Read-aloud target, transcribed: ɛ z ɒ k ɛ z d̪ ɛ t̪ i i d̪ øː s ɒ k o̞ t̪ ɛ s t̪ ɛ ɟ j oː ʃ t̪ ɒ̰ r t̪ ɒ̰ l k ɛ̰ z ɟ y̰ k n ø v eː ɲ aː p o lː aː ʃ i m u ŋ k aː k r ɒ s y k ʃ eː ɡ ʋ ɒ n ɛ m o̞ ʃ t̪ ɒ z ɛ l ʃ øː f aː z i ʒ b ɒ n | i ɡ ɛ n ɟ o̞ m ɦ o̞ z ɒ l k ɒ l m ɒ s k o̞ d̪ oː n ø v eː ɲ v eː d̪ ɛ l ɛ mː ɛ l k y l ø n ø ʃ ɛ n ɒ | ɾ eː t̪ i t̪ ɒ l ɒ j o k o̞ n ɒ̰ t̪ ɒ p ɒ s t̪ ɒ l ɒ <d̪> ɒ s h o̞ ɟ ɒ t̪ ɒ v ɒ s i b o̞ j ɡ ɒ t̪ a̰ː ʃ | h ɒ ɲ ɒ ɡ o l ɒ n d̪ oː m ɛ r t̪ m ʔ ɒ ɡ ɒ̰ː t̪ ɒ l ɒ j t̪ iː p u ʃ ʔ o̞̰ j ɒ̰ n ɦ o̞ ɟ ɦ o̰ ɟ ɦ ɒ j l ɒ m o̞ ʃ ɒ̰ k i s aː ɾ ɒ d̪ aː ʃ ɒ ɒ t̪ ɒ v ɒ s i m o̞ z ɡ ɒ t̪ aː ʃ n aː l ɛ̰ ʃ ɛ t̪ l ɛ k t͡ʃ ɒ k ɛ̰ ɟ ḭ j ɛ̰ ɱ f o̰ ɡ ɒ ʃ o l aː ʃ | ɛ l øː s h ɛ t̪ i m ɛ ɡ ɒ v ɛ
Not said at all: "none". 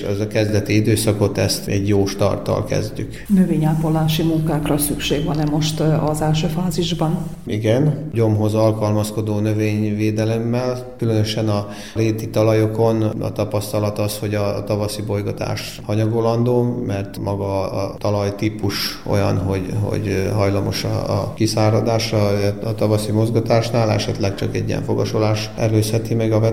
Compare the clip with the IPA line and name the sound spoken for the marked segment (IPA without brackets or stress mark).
t̪